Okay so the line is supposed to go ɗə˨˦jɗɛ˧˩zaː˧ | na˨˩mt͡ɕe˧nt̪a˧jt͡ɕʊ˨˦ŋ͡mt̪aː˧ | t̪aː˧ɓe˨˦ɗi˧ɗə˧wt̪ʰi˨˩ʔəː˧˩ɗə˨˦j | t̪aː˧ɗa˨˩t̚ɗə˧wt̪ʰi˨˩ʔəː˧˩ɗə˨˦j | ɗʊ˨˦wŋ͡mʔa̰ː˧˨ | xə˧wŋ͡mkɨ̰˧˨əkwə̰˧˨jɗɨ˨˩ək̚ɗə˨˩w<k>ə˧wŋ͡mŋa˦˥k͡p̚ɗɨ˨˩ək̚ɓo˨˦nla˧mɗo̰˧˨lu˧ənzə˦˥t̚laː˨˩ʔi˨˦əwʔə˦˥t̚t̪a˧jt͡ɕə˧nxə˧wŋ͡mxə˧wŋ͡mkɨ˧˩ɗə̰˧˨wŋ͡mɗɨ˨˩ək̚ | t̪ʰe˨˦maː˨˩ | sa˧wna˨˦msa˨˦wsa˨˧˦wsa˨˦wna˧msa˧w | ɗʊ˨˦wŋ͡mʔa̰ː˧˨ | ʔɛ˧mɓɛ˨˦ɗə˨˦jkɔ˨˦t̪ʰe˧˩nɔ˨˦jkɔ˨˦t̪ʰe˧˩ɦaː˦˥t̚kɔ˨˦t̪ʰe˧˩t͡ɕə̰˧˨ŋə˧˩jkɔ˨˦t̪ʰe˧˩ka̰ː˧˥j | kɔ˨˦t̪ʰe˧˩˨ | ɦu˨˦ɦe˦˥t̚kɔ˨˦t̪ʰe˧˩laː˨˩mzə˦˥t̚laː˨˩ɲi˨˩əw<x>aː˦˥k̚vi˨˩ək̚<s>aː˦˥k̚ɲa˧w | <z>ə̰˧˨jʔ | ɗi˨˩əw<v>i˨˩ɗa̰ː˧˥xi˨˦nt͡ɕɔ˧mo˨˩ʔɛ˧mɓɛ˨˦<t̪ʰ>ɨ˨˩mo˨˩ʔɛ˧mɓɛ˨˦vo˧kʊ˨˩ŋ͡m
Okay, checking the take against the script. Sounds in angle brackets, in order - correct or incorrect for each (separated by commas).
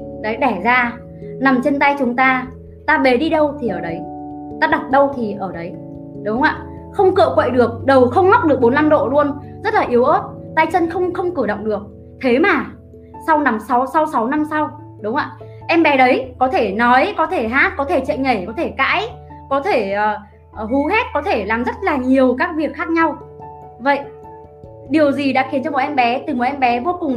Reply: incorrect, incorrect, incorrect, incorrect, incorrect, incorrect